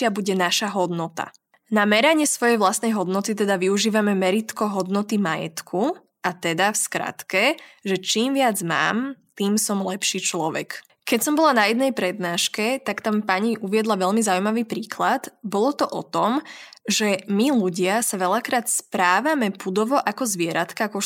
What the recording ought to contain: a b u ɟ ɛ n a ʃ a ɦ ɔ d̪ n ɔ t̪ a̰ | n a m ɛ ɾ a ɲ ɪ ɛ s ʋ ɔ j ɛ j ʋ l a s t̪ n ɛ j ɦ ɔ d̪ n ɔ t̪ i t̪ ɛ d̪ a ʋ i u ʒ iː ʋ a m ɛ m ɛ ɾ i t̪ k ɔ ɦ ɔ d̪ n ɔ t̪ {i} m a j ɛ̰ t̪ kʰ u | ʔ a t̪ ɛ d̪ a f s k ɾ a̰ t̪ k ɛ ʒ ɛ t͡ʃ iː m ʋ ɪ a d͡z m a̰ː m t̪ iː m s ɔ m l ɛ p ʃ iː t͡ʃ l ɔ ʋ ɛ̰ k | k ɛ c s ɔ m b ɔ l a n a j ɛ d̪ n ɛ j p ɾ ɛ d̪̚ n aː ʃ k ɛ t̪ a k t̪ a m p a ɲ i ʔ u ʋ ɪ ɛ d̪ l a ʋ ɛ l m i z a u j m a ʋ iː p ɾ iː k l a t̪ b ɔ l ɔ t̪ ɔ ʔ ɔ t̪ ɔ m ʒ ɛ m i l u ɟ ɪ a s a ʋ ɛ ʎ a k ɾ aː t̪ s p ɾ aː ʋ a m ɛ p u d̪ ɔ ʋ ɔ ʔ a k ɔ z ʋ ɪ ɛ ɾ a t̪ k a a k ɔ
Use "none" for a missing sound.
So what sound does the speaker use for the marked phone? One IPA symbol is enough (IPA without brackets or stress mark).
i